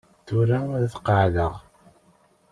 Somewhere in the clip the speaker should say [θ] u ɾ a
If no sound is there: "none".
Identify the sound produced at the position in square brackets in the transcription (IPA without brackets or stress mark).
θ